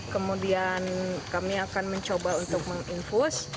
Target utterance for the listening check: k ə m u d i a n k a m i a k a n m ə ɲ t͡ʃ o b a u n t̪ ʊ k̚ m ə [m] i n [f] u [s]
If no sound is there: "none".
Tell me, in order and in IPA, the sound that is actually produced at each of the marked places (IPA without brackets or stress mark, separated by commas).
ŋ, f, s